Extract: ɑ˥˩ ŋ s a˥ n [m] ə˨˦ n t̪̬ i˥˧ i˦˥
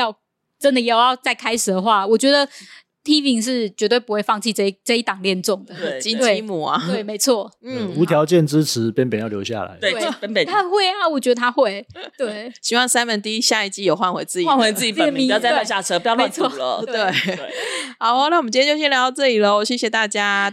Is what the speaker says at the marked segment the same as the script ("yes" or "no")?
yes